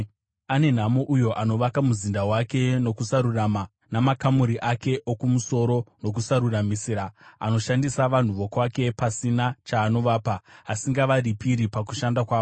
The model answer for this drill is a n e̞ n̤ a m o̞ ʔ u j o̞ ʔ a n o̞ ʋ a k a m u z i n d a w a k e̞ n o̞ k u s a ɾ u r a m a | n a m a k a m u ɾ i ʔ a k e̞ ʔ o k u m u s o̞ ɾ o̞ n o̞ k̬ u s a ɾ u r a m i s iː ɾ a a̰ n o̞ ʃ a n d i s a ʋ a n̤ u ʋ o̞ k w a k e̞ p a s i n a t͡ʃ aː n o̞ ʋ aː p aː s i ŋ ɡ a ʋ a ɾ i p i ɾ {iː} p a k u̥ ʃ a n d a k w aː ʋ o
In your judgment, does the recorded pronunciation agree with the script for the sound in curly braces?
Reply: no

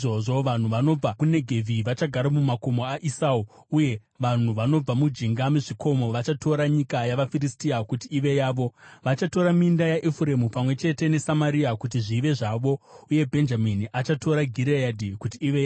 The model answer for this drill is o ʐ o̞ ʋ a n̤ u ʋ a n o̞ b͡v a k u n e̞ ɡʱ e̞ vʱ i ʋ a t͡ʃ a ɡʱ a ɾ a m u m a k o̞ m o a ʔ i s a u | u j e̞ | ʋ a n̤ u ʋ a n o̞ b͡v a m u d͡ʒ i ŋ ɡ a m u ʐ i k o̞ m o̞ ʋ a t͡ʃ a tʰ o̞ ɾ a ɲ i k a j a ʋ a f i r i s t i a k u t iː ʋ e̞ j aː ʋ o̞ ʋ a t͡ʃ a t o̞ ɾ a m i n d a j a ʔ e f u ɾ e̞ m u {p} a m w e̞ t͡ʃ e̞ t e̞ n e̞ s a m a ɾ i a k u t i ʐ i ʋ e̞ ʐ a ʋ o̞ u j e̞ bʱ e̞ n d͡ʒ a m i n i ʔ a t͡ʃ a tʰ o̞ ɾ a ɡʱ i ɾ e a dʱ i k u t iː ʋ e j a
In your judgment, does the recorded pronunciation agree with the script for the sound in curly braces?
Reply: yes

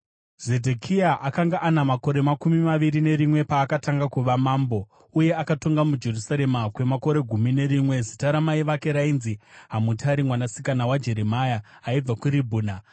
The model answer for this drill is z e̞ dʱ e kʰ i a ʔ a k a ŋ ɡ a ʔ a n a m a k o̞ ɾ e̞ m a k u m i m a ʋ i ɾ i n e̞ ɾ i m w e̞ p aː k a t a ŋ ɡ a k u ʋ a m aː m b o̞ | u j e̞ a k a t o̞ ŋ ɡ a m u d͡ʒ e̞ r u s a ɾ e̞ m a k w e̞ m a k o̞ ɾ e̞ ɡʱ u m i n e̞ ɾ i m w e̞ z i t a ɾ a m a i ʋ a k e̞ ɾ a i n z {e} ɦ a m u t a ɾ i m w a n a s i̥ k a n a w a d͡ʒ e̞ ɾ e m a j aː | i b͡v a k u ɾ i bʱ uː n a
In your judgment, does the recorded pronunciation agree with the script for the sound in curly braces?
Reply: no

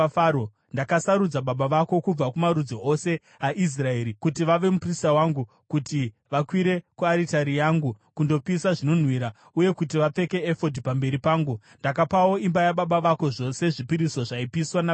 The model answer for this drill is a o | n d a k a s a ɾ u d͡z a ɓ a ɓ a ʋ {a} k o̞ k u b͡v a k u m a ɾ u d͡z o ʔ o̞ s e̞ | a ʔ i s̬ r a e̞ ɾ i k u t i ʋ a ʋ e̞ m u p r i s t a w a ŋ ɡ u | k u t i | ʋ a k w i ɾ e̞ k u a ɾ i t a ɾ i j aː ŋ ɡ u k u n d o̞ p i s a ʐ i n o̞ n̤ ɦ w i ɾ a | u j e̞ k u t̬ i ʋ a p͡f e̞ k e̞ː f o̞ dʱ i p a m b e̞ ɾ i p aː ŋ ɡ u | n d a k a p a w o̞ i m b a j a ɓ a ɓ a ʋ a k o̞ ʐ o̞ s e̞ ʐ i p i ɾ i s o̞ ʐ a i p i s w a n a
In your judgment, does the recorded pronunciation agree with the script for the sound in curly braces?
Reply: yes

